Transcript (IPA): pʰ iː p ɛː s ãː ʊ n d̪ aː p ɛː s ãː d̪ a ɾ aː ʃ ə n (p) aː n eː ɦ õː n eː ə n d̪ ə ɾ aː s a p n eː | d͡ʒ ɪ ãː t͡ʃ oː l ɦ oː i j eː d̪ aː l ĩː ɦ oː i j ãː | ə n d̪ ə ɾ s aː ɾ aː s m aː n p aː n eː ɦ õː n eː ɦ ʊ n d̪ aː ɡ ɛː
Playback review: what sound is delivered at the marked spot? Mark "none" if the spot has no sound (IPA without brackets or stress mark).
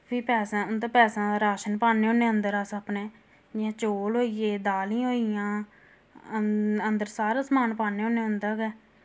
p